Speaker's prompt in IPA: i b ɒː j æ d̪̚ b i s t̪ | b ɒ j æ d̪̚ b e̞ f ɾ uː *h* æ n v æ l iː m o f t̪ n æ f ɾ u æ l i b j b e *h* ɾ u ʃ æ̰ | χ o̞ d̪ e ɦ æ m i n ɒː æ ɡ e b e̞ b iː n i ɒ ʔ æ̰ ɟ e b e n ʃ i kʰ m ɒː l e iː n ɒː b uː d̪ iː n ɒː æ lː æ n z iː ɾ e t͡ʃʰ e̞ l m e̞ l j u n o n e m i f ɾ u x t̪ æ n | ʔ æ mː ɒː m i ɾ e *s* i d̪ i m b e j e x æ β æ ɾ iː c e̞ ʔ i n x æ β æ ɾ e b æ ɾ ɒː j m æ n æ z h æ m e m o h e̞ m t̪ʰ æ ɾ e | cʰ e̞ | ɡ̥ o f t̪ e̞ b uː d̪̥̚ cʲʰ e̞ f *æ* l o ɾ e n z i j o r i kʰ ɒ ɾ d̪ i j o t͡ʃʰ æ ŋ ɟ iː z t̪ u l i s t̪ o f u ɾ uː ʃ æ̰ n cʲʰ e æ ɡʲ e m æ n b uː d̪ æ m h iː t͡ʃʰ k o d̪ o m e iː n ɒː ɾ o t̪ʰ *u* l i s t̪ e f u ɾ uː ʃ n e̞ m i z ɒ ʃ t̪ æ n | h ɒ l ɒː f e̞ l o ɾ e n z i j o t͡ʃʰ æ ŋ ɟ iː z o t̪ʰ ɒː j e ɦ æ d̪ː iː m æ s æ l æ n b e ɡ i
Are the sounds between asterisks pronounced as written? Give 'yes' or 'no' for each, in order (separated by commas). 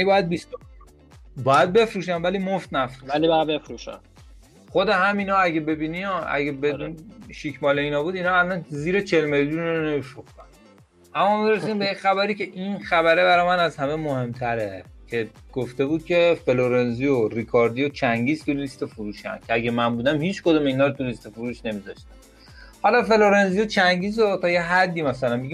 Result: no, no, yes, no, yes